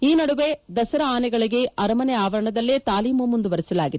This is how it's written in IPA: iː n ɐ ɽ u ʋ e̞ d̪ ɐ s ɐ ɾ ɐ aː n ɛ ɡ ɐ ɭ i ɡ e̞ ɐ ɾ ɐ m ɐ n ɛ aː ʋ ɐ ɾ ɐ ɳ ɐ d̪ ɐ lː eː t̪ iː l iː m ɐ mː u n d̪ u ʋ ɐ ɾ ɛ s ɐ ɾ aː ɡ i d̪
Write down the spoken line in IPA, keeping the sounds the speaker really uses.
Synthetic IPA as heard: iː n ɐ ɽ u ʋ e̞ d̪ ɐ s ɐ ɾ ɐ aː n ɛ ɡ ɐ ɭ i ɡ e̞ ɐ ɾ ɐ m ɐ n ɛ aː ʋ ɐ ɾ ɐ ɳ ɐ d̪ ɐ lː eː t̪ aː l iː m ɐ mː u n d̪ u ʋ ɐ ɾ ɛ s ɐ l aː ɡ i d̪